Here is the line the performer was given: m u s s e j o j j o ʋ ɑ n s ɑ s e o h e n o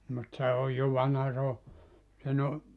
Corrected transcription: m u t s e o j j o ʋ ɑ n h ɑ s e o s e n o